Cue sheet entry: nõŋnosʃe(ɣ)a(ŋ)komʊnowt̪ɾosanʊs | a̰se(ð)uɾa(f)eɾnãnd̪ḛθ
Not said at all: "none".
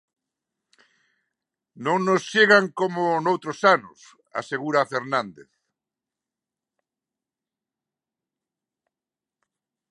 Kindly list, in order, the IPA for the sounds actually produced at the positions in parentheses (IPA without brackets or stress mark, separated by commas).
ɣ, ŋ, ɣ, f